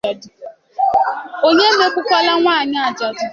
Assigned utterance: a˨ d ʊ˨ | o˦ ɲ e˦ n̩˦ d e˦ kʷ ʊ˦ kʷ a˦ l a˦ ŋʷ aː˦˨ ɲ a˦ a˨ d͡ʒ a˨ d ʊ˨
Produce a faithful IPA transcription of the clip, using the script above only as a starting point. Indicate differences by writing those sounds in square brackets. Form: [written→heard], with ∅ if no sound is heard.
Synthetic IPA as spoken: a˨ d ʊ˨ | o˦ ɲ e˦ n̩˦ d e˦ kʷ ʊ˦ kʷ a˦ l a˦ ŋʷ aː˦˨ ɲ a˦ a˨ d͡ʒ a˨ d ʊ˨